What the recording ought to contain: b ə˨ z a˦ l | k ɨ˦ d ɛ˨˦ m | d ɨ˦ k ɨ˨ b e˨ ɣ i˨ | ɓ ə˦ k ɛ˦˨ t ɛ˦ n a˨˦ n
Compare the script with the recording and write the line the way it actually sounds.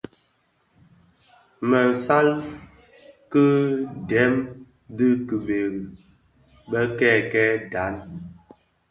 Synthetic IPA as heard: m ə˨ s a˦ l | k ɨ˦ d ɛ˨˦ m | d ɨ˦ k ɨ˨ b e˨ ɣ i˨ | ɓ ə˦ k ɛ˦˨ k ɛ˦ d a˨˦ n